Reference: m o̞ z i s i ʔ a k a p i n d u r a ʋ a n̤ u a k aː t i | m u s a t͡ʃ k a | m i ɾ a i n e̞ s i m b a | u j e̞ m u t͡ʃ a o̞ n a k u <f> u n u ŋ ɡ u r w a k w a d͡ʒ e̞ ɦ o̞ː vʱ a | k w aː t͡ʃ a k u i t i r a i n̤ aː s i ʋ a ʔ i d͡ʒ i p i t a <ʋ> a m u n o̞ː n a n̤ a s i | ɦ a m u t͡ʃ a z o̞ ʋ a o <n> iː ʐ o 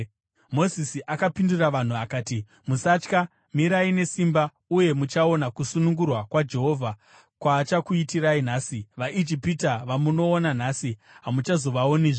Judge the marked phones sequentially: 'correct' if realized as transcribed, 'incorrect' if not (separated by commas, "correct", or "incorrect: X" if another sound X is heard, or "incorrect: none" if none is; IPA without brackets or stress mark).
incorrect: s, correct, correct